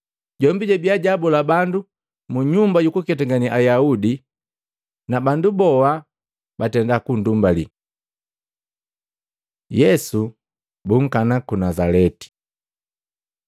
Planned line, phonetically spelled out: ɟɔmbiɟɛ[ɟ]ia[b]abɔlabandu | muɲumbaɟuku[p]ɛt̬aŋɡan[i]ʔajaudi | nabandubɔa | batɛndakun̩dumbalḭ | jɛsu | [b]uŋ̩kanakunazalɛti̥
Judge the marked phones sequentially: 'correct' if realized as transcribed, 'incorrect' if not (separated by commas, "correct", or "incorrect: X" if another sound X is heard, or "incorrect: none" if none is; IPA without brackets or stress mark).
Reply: incorrect: b, incorrect: ɟ, incorrect: k, correct, correct